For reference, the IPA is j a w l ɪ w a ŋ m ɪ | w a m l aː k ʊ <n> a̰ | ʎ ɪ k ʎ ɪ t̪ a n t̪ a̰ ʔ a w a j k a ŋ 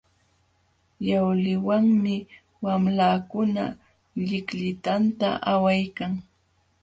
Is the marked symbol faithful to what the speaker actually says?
yes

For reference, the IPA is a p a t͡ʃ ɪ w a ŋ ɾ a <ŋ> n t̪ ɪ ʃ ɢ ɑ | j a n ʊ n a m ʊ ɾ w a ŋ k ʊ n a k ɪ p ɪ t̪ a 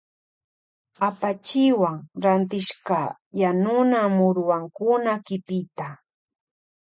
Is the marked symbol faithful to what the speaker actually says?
no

